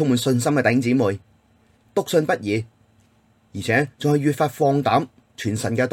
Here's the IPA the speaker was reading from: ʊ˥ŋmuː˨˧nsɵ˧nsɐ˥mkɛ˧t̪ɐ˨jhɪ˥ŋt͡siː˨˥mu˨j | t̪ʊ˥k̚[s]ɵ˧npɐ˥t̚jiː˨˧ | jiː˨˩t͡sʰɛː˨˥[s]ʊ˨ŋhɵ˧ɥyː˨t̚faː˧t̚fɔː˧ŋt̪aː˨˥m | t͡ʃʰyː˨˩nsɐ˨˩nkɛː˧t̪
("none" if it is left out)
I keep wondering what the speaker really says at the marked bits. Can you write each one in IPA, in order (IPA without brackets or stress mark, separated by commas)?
s, t͡s